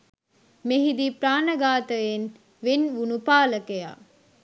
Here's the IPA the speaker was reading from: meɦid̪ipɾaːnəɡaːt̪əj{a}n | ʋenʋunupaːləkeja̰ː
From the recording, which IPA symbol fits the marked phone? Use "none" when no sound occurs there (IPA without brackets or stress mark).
e